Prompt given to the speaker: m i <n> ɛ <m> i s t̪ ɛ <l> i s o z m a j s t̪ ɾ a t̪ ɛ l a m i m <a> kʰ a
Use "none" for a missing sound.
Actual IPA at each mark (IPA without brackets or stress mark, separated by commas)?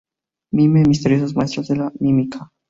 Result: m, m, ɾ, i